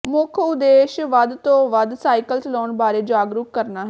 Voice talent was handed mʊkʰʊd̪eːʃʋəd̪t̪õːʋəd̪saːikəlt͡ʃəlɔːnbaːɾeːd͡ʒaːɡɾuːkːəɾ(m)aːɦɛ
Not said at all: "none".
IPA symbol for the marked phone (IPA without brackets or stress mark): n